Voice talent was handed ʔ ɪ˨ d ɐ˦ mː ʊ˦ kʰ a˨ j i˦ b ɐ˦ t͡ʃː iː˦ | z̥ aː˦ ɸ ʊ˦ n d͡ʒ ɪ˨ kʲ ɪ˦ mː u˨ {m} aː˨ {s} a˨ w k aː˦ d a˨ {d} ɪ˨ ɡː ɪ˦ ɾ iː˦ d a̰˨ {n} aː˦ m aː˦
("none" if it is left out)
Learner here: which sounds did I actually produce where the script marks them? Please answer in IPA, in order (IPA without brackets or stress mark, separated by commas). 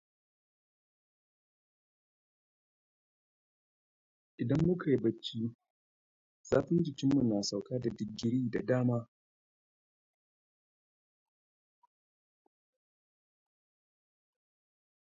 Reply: n, s, d, d